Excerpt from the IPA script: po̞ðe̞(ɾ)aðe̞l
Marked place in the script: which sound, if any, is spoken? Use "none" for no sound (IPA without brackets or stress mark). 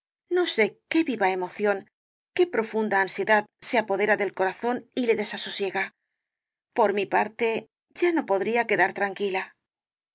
ɾ